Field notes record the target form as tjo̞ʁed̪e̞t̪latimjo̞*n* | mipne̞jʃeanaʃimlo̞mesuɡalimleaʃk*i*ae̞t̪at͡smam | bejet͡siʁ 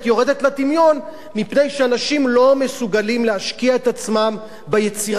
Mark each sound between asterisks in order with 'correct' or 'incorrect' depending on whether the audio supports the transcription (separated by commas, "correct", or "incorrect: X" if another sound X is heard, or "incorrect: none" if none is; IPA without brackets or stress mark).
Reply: correct, correct